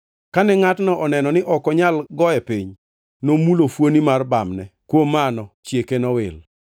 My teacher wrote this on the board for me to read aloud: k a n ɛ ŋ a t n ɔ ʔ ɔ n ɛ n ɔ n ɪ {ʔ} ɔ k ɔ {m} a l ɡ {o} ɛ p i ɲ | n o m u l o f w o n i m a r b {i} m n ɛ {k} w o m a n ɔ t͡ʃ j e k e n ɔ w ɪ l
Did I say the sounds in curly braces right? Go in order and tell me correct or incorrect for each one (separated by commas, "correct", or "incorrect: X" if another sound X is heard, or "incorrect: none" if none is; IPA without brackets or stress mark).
correct, incorrect: ɲ, incorrect: ɔ, incorrect: a, correct